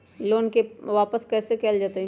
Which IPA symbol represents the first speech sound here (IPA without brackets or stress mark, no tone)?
l